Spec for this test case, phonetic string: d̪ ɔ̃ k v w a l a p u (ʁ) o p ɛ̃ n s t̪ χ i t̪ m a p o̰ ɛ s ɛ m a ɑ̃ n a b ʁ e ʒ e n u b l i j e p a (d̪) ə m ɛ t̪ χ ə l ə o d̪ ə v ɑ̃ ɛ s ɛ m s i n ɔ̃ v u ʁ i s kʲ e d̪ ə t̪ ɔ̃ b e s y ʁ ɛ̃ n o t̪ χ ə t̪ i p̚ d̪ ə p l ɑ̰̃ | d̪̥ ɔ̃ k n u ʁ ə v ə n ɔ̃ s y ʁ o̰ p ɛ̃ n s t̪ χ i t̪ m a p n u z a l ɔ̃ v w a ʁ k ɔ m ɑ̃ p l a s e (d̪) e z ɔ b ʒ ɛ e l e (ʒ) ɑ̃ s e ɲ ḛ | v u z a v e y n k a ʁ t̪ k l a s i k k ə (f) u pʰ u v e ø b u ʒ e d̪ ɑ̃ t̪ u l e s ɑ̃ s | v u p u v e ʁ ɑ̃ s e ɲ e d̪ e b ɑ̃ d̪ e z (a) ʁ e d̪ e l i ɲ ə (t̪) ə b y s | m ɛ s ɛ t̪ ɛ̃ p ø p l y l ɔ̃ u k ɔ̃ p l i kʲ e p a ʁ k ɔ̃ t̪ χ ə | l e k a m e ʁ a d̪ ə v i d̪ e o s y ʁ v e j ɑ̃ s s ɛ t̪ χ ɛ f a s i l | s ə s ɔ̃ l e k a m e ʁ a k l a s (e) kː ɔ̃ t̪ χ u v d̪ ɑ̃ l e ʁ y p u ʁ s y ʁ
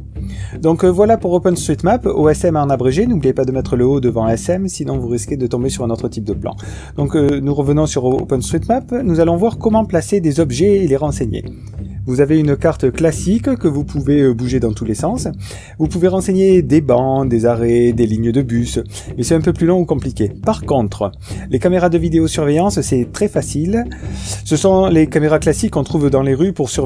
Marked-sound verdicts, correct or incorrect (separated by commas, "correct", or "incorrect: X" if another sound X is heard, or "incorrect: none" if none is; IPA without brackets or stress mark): correct, correct, correct, incorrect: ʁ, incorrect: v, correct, incorrect: d̪, incorrect: i